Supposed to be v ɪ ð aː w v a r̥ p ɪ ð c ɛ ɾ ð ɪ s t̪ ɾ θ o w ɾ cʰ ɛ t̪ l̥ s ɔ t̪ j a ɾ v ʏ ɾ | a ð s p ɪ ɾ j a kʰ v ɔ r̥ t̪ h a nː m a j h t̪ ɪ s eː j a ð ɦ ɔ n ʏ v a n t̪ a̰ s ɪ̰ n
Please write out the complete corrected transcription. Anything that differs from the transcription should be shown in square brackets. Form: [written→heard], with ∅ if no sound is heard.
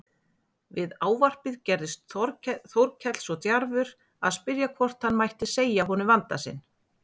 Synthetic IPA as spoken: v ɪ ð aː w v a r̥ p ɪ ð c ɛ ɾ ð ɪ s t̪ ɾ θ o w ɾ cʰ ɛ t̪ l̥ s ɔ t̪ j a ɾ v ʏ ɾ | a ð s p ɪ ɾ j a kʰ v ɔ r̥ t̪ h a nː m a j h t̪ ɪ s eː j a [ð→∅] ɦ ɔ n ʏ v a n t̪ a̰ s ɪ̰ n

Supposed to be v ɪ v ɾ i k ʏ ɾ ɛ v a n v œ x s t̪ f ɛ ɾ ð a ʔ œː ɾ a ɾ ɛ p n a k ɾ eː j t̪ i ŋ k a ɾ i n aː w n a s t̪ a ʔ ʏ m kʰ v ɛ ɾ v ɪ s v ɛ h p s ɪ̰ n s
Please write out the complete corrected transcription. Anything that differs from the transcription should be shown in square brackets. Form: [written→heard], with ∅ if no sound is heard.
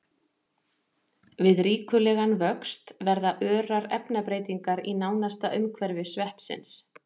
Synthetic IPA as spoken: v ɪ [v→ð] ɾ [i→iː] k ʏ [ɾ→l] ɛ [v→ɣ] a n v œ [x→k] s t̪ [f→v] ɛ ɾ ð a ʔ œː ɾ a ɾ ɛ p n a [k→p] ɾ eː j t̪ i ŋ k a ɾ i n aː w n a s t̪ a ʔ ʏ m kʰ v ɛ ɾ v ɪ s v ɛ h p s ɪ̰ n s

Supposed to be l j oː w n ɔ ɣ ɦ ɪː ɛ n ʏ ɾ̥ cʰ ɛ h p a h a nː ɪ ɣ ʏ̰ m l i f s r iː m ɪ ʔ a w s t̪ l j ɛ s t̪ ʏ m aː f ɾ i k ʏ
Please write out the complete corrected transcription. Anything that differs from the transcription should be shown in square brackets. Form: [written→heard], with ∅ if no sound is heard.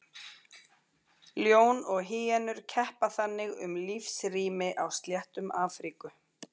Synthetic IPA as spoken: l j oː w n ɔ ɣ ɦ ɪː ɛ n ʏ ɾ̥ cʰ ɛ h p a [h→θ] a nː ɪ ɣ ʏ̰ m l i f s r iː m ɪ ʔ a w s t̪ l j ɛ [s→h] t̪ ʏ m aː f ɾ i k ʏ

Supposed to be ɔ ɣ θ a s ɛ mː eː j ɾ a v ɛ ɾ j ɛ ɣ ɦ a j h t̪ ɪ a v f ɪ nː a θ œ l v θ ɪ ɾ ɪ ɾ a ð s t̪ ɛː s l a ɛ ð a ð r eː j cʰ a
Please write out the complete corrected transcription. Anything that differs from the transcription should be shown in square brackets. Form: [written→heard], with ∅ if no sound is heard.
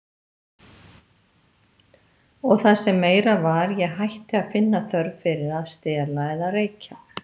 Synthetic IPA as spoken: ɔ ɣ θ a s ɛ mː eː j ɾ a v [ɛ→a] ɾ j ɛ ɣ ɦ a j h t̪ ɪ a [v→ð] f ɪ nː a θ œ [l→ɾ] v [θ→f] ɪ ɾ ɪ ɾ a ð s t̪ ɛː [s→∅] l a ɛ ð a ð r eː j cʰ a

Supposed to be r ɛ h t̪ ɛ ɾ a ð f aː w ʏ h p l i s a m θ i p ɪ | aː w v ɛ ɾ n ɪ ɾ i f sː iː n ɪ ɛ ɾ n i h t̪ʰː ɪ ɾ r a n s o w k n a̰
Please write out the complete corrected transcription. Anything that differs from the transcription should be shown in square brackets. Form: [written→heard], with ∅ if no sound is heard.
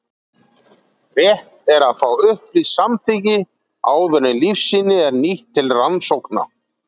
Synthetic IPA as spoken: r ɛ h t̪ ɛ ɾ a ð f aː w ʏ h p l i s a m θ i [p→c] ɪ | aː w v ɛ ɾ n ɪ [ɾ→l] i f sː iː n ɪ ɛ ɾ n i h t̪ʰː ɪ [ɾ→l] r a n s o w k n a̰

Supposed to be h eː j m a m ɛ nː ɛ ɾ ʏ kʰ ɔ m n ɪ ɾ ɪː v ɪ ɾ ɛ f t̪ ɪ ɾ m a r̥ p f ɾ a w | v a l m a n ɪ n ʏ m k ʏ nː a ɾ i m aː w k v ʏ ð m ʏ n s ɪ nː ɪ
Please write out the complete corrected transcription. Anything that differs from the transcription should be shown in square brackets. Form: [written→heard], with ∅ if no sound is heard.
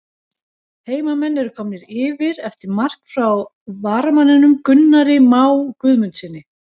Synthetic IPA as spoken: h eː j m a m ɛ nː ɛ ɾ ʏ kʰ ɔ m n ɪ ɾ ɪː v ɪ ɾ ɛ f t̪ ɪ ɾ m a r̥ [p→k] f ɾ a w | v a [l→ɾ] m a n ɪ n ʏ m k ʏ nː a ɾ [i→ɪ] m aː w k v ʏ ð m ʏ n s ɪ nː ɪ

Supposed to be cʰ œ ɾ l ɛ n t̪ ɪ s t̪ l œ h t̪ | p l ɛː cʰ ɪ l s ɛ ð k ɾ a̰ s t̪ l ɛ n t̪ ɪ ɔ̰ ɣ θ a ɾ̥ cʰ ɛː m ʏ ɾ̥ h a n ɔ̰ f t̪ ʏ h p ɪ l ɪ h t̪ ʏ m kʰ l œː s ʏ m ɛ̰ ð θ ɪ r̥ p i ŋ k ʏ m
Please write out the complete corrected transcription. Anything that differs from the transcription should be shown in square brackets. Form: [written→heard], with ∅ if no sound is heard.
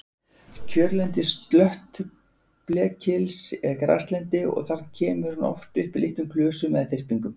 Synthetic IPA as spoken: cʰ œ ɾ l ɛ n t̪ ɪ s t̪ l œ h t̪ | p l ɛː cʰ ɪ l s ɛ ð k ɾ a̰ s t̪ l ɛ n t̪ ɪ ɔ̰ ɣ θ a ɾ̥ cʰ ɛː m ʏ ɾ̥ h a n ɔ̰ f t̪ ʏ h p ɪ l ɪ h t̪ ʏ m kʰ l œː s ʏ m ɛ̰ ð θ ɪ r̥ p i ŋ k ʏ m

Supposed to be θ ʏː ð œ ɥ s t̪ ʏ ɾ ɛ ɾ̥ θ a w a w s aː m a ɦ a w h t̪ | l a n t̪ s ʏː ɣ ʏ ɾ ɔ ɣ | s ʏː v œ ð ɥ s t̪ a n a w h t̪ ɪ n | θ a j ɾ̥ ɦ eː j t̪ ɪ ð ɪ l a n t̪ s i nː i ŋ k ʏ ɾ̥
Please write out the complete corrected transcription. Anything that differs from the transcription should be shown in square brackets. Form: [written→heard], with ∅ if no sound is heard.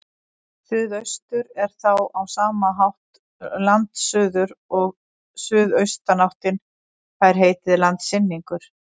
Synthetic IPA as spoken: θ ʏː ð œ ɥ s t̪ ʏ ɾ ɛ ɾ̥ θ a w a w s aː m a ɦ a w h t̪ | l a n t̪ s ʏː [ɣ→ð] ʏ ɾ ɔ ɣ | s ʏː [v→ð] œ [ð→∅] ɥ s t̪ a n a w h t̪ ɪ n | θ a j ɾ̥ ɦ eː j t̪ ɪ ð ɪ l a n t̪ s [i→ɪ] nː i ŋ k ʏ ɾ̥

